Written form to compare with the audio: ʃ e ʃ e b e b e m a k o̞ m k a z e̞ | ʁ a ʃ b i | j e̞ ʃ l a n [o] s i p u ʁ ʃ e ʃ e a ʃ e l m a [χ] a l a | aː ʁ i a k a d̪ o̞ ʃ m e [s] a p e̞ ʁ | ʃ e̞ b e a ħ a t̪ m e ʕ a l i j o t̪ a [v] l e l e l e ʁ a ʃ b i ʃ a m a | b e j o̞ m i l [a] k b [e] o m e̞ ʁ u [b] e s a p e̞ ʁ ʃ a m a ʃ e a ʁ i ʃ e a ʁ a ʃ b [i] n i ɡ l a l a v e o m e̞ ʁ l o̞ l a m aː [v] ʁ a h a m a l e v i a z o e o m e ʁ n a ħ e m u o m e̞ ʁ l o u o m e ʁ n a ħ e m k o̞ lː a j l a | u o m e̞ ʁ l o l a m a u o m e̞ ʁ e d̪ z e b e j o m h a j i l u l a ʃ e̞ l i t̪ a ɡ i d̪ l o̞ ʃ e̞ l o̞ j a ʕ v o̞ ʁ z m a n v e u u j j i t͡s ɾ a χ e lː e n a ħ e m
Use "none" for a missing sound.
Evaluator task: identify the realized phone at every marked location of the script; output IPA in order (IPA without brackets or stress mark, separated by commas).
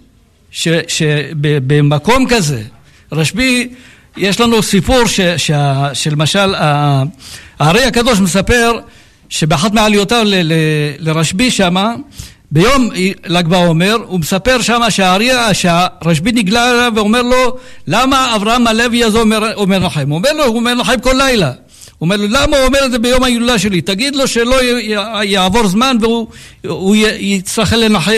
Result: u, ʃ, s, v, a, a, m, i, v